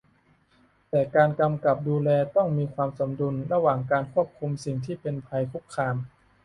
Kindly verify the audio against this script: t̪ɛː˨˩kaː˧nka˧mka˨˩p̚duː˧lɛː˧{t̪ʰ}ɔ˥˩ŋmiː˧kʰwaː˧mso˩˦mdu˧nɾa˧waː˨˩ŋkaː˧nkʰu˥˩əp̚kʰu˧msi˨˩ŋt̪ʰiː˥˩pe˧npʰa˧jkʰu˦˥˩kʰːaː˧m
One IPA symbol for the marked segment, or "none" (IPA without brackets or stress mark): t̪